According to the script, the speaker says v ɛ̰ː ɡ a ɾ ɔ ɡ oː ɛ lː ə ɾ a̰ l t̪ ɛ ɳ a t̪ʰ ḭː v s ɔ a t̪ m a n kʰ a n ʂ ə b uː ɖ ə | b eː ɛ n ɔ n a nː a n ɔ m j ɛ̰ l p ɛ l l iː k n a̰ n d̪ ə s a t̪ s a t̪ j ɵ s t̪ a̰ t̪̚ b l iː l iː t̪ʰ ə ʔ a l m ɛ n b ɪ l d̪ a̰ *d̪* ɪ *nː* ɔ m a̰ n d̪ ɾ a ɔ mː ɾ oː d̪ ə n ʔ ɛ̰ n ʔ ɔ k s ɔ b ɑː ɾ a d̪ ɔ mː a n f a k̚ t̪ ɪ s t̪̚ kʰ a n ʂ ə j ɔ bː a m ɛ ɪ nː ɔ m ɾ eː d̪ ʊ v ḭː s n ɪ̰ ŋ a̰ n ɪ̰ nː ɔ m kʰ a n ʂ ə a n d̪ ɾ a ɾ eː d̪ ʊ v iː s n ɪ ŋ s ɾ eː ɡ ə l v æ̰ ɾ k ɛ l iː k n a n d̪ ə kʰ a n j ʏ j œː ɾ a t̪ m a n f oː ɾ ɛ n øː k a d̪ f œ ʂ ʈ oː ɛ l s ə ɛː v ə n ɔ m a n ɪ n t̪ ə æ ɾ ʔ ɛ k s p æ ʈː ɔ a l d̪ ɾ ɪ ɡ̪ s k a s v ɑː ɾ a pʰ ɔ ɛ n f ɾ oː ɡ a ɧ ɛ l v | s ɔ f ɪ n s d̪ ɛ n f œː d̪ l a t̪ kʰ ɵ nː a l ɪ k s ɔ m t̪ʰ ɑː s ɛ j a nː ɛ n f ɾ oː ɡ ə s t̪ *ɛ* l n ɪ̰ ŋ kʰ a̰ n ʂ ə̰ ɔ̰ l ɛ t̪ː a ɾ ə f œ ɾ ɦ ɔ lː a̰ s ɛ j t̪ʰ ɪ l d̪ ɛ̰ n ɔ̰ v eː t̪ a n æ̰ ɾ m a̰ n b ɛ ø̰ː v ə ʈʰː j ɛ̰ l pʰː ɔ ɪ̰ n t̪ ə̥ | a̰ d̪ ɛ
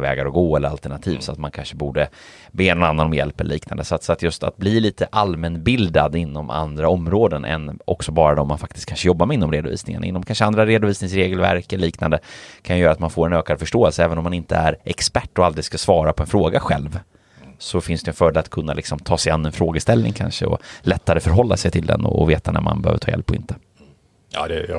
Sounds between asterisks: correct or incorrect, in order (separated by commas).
correct, correct, correct